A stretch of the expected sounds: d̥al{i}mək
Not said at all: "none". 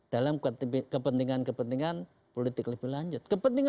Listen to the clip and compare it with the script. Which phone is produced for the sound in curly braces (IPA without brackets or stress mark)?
a